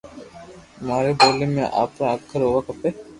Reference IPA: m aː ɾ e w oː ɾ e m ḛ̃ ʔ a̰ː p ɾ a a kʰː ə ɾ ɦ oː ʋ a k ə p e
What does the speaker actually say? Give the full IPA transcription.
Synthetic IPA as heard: m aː ɾ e b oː l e m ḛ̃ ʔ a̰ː p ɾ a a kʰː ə ɾ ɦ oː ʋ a k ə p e